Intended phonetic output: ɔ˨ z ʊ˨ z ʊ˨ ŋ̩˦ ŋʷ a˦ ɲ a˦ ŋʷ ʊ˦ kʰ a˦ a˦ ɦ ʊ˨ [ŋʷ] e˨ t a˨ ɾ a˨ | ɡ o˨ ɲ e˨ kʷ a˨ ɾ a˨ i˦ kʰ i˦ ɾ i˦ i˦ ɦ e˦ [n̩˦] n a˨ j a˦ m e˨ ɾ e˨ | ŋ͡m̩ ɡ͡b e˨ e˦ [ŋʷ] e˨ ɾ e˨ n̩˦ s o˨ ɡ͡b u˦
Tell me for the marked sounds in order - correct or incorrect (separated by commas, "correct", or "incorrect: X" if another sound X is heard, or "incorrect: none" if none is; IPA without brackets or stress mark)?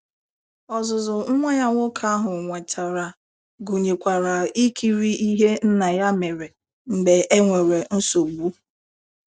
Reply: correct, correct, correct